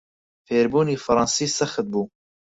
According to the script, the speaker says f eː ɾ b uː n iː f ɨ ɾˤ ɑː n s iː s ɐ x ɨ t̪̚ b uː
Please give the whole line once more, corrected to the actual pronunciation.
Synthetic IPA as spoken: f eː ɾ b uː n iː f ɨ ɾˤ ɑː n s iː s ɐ x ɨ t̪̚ b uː